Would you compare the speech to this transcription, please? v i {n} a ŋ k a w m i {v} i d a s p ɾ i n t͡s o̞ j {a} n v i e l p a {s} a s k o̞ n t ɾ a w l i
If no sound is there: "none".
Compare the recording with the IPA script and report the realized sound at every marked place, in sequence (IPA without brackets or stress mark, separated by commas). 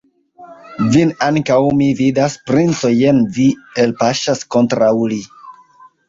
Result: n, v, e, ʃ